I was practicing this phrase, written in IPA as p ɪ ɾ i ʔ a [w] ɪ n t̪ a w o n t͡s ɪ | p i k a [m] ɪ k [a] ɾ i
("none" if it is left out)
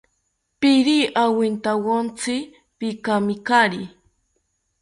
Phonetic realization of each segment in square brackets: w, m, a

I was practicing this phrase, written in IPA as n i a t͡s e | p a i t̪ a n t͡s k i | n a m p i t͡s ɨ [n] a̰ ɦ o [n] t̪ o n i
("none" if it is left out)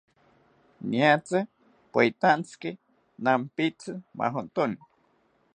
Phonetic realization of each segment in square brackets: m, n

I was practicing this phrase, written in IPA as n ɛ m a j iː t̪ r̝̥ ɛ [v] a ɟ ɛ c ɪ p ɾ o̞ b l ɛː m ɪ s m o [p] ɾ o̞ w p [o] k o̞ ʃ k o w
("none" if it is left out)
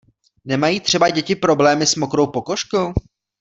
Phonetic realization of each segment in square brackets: b, k, o

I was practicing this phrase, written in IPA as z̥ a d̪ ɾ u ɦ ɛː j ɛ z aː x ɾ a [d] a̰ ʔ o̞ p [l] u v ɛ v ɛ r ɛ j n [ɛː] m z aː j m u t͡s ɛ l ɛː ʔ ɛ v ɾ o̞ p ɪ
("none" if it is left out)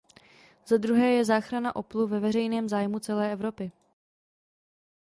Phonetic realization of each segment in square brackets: n, l, ɛː

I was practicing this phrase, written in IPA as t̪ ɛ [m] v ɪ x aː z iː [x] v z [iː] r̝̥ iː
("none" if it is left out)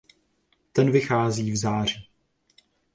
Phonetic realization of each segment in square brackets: n, none, aː

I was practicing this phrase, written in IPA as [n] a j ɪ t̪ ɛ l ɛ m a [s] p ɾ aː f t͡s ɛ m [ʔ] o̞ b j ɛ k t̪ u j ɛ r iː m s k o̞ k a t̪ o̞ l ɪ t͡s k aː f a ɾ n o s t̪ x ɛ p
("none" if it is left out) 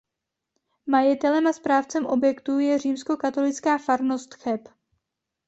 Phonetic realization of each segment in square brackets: m, s, ʔ

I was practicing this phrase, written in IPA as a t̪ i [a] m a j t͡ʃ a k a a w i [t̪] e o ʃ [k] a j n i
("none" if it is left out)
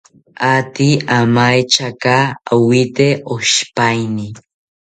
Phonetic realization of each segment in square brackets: a, t̪, p

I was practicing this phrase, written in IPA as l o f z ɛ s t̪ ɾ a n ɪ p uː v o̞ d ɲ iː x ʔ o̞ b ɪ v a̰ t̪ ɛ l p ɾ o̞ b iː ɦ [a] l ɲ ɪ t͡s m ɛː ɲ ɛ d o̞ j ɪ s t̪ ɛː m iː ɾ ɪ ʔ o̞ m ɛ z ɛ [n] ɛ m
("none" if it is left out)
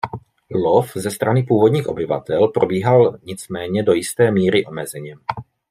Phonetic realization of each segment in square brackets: a, ɲ

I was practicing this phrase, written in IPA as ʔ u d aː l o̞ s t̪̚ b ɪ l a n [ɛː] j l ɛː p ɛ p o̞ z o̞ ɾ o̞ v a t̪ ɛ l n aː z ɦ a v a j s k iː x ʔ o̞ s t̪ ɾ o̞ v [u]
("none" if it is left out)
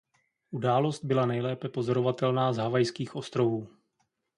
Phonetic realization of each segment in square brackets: ɛ, uː

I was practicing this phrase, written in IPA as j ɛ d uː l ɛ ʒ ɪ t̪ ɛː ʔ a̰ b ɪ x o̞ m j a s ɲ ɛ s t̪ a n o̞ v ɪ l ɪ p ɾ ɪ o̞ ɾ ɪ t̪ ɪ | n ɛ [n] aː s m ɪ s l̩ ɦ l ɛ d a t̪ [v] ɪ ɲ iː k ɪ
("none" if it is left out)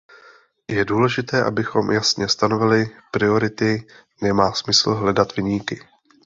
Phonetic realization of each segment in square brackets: m, v

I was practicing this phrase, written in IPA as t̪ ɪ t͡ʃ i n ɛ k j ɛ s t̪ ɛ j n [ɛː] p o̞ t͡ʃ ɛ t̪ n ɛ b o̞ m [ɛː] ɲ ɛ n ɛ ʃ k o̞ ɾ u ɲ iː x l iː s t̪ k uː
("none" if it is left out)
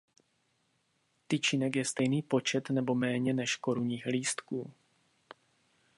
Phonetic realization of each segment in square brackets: iː, ɛː

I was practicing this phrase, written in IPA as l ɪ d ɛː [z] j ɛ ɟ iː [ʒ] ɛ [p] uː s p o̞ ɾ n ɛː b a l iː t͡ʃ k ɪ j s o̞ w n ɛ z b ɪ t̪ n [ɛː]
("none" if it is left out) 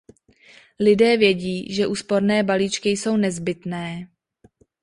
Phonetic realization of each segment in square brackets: v, ʒ, ʔ, ɛː

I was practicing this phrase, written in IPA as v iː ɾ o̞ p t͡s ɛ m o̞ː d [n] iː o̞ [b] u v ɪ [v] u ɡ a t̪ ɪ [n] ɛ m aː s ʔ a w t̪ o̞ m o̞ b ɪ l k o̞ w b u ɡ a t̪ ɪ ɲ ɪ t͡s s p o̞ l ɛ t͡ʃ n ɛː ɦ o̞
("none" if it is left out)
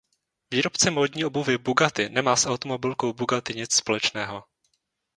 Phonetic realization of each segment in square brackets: ɲ, b, b, n

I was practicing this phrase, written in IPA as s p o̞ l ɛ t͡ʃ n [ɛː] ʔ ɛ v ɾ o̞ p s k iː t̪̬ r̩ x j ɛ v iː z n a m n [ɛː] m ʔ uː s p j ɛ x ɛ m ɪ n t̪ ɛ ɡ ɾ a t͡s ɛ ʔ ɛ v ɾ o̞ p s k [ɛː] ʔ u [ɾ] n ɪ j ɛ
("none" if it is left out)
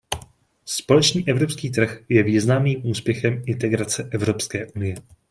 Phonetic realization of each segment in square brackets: iː, iː, ɛː, none

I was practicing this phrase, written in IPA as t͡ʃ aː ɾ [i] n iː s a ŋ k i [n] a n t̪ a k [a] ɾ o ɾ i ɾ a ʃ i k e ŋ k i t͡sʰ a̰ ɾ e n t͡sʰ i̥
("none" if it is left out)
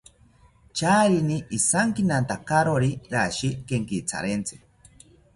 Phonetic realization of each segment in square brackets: i, n, a

